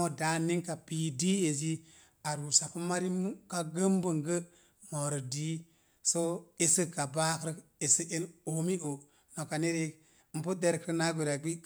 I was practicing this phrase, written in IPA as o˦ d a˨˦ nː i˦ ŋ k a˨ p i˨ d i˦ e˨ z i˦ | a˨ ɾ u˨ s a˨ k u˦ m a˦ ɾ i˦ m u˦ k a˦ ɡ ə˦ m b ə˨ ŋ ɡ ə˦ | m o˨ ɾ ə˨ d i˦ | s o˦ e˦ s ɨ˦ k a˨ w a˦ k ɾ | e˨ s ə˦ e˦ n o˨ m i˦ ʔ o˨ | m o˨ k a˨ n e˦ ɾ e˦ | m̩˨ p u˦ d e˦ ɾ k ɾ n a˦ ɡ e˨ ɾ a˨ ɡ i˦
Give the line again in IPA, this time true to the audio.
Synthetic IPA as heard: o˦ d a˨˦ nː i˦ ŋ k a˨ p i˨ d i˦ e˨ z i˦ | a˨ ɾ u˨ s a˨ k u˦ m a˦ ɾ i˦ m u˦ k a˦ ɡ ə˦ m b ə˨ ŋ ɡ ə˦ | m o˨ ɾ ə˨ d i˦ | s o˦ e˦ s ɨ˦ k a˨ b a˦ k ɾ | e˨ s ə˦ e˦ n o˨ m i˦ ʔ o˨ | n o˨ k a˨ n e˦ ɾ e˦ | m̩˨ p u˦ d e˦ ɾ k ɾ n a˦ ɡ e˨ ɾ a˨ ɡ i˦